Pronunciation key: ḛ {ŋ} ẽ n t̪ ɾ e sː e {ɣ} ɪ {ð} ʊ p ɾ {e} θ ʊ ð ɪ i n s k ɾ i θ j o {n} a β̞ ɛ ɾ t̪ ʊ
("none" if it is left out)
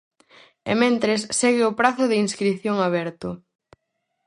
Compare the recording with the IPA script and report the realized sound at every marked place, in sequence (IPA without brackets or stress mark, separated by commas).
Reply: m, ɣ, none, a, ŋ